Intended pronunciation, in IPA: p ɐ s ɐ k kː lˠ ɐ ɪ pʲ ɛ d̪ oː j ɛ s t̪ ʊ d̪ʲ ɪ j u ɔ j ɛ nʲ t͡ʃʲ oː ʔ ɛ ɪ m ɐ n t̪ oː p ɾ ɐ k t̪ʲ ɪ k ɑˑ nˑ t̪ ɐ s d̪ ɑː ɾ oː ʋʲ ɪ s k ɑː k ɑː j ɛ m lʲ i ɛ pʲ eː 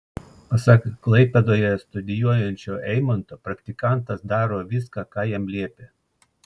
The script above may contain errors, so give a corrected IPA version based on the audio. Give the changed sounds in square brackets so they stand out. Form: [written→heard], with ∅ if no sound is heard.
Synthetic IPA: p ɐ s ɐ k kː lˠ ɐ ɪ pʲ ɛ d̪ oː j ɛ s t̪ ʊ d̪ʲ ɪ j u ɔ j ɛ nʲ t͡ʃʲ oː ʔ ɛ ɪ m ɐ n t̪ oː p ɾ ɐ k t̪ʲ ɪ k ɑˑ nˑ t̪ ɐ s d̪ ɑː ɾ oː ʋʲ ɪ s k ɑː k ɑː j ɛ m lʲ i ɛ pʲ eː